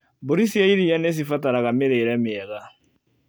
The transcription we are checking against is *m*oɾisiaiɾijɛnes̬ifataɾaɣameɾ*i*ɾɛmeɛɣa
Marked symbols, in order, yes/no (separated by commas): no, no